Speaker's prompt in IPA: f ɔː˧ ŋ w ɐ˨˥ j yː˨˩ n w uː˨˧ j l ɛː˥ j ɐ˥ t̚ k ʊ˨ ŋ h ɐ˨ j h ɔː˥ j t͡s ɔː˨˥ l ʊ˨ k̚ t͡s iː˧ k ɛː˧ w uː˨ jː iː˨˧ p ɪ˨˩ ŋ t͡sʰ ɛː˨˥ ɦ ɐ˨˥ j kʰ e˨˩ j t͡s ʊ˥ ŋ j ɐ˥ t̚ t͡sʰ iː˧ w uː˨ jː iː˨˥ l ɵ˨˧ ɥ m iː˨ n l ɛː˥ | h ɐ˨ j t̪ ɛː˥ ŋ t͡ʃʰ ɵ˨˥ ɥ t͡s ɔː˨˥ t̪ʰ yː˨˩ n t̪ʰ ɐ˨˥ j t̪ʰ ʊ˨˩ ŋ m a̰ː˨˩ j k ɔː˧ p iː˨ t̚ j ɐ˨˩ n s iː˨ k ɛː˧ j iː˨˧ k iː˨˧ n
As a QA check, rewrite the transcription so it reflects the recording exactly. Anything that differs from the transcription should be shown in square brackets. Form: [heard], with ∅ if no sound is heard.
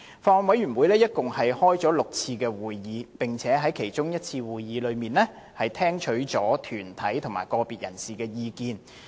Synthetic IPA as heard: f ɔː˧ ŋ w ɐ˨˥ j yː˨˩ n w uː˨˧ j l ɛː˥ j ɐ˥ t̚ k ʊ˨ ŋ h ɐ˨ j h ɔː˥ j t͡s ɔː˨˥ l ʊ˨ k̚ [t͡sʰ] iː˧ k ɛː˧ w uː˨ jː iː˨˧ p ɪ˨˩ ŋ t͡sʰ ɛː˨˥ ɦ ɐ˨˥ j kʰ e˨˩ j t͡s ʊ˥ ŋ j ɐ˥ t̚ t͡sʰ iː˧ w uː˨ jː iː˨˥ l ɵ˨˧ ɥ m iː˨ n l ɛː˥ | h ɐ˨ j [t̪ʰ] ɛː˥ ŋ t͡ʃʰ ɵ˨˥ ɥ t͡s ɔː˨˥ t̪ʰ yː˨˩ n t̪ʰ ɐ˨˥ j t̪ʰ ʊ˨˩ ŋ m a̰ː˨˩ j k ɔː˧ p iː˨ t̚ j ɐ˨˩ n s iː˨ k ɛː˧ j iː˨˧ k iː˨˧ n